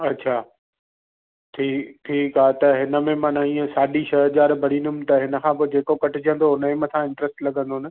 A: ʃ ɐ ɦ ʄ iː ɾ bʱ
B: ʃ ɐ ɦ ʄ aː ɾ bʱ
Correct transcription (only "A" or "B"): B